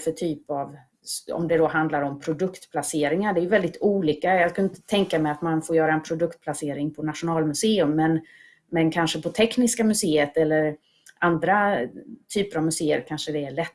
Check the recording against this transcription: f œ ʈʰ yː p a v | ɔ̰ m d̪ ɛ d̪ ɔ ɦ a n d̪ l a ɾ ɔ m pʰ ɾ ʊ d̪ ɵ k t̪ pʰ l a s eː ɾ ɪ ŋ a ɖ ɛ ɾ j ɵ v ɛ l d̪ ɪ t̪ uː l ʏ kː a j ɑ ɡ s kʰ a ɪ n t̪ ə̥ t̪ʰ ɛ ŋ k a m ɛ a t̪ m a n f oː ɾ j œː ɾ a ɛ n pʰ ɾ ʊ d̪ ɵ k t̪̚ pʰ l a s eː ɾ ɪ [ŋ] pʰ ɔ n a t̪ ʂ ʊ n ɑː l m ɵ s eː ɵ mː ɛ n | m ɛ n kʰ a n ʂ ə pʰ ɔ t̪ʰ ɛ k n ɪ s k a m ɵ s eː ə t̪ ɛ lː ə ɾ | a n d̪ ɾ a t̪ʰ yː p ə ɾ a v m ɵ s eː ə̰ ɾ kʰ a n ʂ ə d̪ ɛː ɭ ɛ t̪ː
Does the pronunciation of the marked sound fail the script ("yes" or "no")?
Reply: no